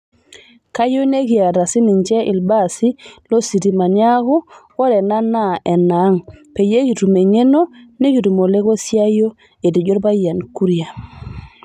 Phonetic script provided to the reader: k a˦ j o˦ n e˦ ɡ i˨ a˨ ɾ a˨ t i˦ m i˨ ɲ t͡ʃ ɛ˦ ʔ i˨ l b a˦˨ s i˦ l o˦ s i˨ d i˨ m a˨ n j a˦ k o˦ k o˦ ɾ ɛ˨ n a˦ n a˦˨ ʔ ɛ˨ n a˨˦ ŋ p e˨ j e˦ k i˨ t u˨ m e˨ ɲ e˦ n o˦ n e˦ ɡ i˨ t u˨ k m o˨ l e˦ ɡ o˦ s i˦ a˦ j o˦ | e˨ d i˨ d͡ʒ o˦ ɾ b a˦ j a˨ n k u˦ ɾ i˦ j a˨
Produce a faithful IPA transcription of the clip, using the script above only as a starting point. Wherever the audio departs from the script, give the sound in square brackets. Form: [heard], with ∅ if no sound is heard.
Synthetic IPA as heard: k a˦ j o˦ n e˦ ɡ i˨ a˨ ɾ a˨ [s] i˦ [n] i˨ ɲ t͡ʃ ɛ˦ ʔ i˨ l b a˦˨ s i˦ l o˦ s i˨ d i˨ m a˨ n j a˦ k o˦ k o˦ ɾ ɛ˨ n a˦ n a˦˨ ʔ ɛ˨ n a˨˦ ŋ p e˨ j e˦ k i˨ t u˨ m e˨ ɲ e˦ n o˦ n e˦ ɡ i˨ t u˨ [∅] m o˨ l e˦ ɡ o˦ s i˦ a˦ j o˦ | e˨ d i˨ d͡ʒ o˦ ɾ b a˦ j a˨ n k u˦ ɾ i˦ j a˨